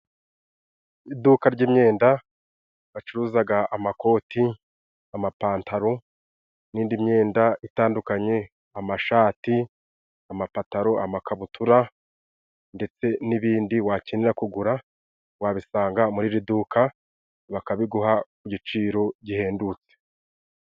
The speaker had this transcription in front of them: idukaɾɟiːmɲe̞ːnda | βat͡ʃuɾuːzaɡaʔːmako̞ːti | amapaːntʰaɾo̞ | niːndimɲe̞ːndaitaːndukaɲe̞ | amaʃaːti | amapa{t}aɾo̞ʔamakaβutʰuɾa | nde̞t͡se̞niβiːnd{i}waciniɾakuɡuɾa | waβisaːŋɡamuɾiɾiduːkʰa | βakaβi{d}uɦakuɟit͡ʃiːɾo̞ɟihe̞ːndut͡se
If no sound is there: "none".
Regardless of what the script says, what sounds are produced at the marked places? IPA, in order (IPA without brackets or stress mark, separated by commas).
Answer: t, i, ɡ